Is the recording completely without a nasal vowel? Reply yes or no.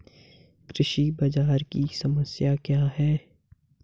yes